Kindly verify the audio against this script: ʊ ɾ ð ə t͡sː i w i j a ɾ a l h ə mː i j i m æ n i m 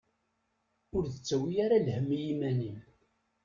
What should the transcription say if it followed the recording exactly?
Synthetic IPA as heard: ʊ ɾ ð ə t͡sː æ w i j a ɾ a l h ə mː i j i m æ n i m